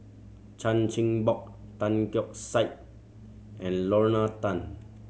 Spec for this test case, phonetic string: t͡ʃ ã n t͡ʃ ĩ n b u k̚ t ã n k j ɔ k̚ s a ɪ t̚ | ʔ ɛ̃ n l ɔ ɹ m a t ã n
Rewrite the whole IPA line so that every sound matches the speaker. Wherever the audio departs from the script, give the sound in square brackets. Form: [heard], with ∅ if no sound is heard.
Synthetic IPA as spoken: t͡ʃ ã n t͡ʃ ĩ [ŋ] b [ɔ] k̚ t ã n k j ɔ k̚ s a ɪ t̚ | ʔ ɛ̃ n l ɔ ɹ [n] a t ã n